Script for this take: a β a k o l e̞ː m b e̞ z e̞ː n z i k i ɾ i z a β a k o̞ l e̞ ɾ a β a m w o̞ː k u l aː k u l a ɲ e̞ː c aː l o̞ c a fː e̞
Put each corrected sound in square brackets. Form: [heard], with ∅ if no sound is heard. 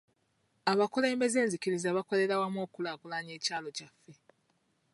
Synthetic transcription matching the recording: a β a k o l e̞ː m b e̞ z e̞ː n z i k i ɾ i z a β a k o̞ l e̞ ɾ a [w] a m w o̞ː k u l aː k u l a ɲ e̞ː c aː l o̞ c a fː e̞